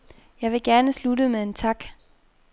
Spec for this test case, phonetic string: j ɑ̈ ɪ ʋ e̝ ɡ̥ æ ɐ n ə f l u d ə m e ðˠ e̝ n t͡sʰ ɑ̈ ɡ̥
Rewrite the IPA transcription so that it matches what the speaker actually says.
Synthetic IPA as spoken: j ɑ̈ ɪ ʋ e̝ ɡ̥ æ ɐ n ə s l u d ə m e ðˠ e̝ n t͡sʰ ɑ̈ ɡ̥